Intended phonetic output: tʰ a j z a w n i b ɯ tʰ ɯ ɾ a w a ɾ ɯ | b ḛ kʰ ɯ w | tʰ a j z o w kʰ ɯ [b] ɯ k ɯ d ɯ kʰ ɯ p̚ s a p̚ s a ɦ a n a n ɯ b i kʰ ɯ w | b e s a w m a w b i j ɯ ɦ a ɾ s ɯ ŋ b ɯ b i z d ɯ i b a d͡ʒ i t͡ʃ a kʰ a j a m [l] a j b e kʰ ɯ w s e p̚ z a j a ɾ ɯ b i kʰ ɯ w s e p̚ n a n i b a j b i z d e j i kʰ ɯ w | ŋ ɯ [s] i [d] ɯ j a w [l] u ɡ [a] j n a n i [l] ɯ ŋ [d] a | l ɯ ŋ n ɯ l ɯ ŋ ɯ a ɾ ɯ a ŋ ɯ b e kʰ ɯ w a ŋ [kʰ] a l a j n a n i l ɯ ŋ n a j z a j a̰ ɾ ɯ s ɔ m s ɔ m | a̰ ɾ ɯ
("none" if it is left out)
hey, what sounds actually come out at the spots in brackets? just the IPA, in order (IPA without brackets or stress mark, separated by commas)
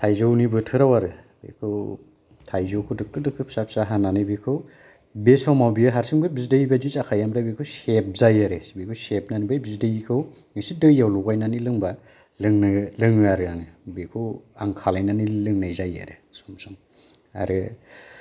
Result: d, ɾ, s, d, l, a, l, b, kʰ